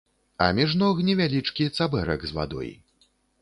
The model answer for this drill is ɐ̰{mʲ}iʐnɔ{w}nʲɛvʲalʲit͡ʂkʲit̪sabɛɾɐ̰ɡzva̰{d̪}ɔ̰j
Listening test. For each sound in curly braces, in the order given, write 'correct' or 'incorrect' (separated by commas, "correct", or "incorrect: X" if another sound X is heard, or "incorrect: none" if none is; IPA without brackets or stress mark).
correct, incorrect: ɣ, correct